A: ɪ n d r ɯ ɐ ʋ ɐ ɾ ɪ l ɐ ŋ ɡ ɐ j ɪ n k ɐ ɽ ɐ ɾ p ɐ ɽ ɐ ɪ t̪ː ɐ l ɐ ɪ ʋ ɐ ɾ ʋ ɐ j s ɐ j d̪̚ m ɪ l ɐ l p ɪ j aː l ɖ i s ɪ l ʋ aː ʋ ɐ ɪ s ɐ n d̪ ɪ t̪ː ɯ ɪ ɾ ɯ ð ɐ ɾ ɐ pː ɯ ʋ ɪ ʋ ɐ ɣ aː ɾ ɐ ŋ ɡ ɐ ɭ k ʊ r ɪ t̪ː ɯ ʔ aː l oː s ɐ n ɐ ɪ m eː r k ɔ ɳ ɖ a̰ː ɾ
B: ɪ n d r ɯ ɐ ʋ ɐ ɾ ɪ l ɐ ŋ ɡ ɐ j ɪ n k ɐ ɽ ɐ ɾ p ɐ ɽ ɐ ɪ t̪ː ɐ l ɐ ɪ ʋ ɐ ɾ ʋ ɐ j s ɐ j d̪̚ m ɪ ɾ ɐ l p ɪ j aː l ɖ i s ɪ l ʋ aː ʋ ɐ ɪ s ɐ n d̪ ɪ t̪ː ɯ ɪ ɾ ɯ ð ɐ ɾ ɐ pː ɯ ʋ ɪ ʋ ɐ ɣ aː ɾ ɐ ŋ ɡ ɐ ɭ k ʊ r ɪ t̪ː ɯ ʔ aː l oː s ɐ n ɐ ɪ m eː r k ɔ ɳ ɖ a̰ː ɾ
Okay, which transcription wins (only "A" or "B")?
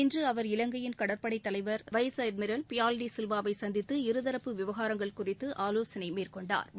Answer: B